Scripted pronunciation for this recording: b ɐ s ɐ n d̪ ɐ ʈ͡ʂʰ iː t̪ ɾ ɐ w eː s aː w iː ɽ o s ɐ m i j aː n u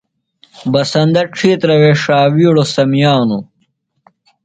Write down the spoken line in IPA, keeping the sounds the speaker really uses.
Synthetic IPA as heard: b ɐ s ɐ n d̪ ɐ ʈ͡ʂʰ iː t̪ ɾ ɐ w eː ʂ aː w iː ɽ o s ɐ m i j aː n u